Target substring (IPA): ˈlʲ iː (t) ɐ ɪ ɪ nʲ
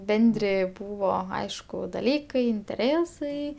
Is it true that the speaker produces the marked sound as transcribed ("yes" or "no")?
no